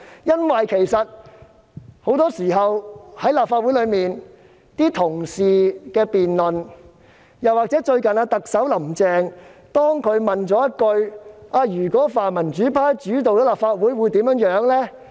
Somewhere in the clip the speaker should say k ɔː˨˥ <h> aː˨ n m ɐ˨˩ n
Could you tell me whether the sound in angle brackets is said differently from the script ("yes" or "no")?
yes